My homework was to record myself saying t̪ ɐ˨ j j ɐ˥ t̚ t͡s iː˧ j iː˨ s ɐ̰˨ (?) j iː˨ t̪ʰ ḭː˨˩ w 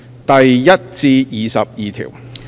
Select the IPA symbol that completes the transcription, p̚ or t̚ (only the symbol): p̚